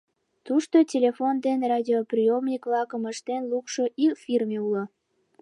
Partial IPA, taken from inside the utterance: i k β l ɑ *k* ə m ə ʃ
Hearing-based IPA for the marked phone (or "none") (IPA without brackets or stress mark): k